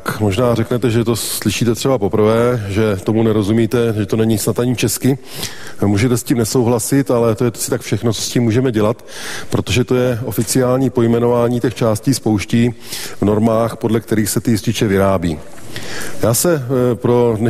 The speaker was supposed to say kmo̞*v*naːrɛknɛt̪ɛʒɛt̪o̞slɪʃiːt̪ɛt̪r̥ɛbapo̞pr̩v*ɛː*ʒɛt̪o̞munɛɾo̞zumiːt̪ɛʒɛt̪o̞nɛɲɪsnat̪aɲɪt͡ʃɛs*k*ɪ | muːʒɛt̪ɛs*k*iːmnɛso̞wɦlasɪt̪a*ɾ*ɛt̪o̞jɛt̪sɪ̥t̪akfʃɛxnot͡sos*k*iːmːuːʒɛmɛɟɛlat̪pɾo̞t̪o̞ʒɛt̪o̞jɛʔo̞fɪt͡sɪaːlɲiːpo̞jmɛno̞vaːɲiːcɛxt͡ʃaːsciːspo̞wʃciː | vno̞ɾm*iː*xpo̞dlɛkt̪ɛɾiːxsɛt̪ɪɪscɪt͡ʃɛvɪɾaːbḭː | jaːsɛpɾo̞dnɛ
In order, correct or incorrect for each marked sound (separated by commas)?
incorrect, correct, correct, incorrect, incorrect, incorrect, incorrect